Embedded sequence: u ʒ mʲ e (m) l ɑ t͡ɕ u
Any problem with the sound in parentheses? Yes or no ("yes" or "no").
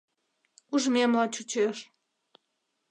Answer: no